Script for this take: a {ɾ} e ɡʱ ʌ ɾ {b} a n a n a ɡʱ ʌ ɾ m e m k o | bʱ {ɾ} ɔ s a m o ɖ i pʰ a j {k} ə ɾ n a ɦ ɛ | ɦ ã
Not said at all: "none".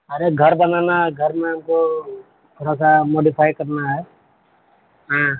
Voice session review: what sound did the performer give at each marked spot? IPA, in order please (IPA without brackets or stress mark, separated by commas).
ɾ, b, ɾ, k